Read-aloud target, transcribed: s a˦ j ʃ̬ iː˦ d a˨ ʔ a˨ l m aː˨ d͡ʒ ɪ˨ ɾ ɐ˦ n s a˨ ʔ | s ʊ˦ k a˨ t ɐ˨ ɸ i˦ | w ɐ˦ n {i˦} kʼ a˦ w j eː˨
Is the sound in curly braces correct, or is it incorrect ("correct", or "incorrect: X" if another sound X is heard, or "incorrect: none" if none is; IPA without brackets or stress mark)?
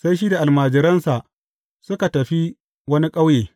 correct